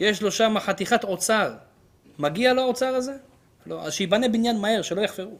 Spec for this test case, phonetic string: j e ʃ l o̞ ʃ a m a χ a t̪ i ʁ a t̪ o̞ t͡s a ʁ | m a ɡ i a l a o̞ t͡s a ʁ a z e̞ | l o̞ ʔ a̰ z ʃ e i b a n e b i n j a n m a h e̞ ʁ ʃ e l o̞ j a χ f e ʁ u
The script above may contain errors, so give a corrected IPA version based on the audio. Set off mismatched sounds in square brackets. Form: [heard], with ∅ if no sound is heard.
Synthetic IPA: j e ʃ l o̞ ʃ a m a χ a t̪ i [χ] a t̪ o̞ t͡s a ʁ | m a ɡ i a l a o̞ t͡s a ʁ a z e̞ | l o̞ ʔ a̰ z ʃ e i b a n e b i n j a n m a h e̞ ʁ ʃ e l o̞ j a χ f e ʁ u